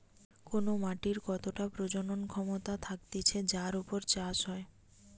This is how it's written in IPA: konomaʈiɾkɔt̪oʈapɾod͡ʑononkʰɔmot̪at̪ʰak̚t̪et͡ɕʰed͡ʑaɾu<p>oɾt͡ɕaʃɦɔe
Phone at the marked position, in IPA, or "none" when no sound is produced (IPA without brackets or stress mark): p